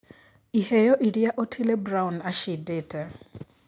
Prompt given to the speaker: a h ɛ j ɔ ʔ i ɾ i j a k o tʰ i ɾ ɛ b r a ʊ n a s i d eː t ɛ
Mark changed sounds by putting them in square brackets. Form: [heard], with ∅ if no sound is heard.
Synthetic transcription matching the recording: [i] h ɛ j ɔ ʔ i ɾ i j a [ʔ] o tʰ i [l] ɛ b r a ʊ n a [ʃ] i d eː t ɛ

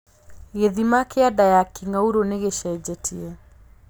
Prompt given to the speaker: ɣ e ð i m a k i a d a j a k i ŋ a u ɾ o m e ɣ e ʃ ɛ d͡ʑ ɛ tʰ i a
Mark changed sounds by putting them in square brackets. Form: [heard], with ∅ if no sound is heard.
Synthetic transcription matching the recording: ɣ e ð i m a k [e] a d a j a k i ŋ a u ɾ o [n] e ɣ e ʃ ɛ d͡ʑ ɛ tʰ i [ɛ]

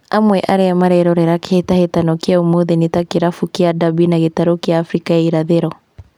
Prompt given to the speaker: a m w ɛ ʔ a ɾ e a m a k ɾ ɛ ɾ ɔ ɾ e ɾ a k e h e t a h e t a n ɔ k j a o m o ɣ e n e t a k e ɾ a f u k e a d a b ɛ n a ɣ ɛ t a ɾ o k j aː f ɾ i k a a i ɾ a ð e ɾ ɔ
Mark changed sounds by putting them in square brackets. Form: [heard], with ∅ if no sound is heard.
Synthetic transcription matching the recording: a m w ɛ ʔ a ɾ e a m a [∅] ɾ ɛ ɾ ɔ ɾ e ɾ a k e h e t a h e t a n ɔ k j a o m o [ð] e n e t a k e ɾ a f u k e a d a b [i] n a ɣ [e] t a ɾ o k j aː f ɾ i k a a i ɾ a ð e ɾ ɔ

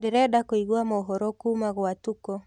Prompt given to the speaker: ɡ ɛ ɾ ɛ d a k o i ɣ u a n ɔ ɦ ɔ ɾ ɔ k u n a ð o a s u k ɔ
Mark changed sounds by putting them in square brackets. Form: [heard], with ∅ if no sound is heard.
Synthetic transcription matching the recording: [d] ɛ ɾ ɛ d a k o i ɣ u a [m] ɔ ɦ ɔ ɾ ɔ k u [m] a [ɣ] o a [t] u k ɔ

